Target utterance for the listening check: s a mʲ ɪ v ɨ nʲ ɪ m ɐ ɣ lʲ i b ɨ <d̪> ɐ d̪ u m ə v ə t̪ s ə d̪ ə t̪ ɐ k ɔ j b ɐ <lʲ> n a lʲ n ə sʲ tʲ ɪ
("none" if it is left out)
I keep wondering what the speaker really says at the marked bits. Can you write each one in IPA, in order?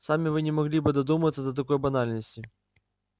d̪, none

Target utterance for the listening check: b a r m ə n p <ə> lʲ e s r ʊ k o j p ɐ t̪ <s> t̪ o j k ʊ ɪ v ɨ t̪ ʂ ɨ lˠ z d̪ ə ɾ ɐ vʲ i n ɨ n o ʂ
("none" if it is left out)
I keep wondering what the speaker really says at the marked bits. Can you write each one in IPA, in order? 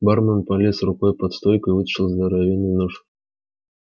ɐ, s

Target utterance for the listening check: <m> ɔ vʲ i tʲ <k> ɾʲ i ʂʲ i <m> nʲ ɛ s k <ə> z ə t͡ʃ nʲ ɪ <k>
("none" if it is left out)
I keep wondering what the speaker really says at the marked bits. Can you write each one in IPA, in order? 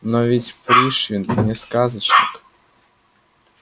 n, p, n, a, k

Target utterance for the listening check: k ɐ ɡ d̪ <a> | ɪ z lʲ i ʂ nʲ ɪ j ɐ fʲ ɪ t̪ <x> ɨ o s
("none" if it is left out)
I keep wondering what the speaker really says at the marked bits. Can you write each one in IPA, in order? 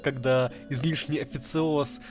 a, s

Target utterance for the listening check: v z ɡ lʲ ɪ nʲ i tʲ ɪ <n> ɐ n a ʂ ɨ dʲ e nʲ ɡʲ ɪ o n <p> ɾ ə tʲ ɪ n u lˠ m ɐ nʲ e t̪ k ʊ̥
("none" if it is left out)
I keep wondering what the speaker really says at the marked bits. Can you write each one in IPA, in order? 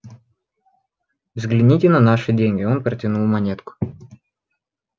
n, p

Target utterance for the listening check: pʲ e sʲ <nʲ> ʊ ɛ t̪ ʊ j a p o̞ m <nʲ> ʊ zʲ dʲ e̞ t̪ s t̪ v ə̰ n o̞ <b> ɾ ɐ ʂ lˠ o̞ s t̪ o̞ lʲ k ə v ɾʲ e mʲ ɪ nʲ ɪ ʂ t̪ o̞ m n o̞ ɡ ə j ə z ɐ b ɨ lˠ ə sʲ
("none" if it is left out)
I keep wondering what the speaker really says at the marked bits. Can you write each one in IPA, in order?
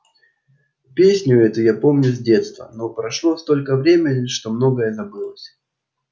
nʲ, nʲ, p

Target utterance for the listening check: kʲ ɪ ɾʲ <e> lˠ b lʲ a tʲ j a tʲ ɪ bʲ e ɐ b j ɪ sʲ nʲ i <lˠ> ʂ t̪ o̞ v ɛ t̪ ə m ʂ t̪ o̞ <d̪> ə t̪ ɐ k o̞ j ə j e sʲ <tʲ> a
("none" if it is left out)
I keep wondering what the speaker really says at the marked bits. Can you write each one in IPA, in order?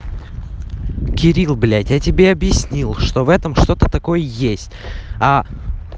i, lˠ, t̪, tʲ

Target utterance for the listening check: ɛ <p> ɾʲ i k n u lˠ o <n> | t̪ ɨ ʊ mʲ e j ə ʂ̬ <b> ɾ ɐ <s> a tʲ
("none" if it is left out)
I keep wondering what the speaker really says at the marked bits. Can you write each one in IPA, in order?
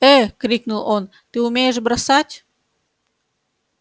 k, n, b, s

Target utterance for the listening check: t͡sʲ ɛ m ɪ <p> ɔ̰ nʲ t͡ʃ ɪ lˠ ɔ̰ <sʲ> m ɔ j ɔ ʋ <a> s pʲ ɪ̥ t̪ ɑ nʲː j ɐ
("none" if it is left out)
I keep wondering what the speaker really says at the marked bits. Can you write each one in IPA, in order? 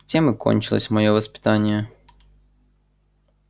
k, sʲ, ɐ

